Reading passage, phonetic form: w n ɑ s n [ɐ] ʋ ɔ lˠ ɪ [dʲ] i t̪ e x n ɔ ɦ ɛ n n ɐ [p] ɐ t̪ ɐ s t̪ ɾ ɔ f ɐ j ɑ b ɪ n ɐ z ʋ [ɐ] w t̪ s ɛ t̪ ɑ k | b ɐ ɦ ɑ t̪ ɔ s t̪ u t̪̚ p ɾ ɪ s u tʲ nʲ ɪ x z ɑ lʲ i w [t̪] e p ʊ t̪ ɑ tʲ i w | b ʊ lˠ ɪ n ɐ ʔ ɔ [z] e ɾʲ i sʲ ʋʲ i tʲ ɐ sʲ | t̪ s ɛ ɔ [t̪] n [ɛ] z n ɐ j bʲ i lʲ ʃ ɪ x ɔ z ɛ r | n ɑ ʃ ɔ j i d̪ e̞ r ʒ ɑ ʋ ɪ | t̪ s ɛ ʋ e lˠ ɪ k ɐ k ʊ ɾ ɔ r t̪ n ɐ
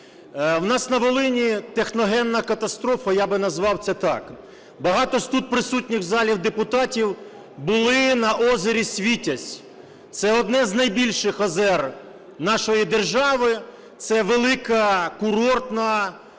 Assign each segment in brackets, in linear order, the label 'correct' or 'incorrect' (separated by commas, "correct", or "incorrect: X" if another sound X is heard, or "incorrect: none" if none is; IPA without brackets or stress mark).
correct, incorrect: nʲ, incorrect: k, incorrect: ɑ, incorrect: d̪, correct, incorrect: d̪, correct